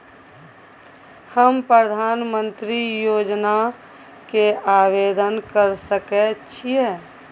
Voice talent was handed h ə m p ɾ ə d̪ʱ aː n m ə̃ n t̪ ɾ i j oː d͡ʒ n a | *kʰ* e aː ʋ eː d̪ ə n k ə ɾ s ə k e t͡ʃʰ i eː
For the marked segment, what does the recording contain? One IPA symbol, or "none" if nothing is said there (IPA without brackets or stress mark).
k